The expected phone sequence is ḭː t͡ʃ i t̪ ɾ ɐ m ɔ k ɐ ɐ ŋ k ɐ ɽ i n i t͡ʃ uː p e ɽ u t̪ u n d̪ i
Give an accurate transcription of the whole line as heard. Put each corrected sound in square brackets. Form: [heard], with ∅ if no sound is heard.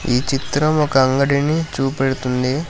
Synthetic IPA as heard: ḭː t͡ʃ i t̪ ɾ ɐ m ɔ k ɐ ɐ ŋ [ɡ] ɐ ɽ i n i t͡ʃ uː p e ɽ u t̪ u n d̪ i